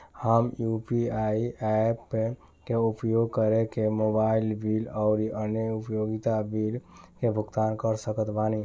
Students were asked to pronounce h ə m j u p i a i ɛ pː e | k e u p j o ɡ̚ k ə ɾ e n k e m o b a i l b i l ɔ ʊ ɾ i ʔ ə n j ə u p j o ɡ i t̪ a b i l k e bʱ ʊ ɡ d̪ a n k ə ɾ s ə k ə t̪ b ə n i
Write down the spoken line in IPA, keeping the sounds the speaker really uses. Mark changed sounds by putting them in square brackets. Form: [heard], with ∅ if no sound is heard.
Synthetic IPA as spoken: h ə m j u p i a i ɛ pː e | k e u p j o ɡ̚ k ə ɾ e [∅] k e m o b a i l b i l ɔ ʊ ɾ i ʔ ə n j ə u p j o ɡ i t̪ a b i l k e bʱ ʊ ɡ [t̪] a n k ə ɾ s ə k ə t̪ b [a] n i